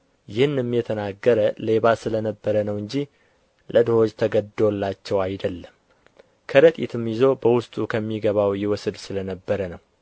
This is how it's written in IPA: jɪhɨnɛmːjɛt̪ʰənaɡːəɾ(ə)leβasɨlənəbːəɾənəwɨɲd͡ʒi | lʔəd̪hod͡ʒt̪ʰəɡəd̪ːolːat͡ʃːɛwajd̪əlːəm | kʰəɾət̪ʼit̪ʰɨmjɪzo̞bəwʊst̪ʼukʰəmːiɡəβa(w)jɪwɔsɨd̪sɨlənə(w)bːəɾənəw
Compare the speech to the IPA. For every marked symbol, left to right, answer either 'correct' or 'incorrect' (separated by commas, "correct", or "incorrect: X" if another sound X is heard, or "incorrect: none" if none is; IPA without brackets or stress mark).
correct, correct, incorrect: none